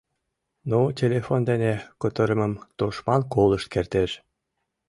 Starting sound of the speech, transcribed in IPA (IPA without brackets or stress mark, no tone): n